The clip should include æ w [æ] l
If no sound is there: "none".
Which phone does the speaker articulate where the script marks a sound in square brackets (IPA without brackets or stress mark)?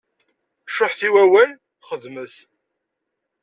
æ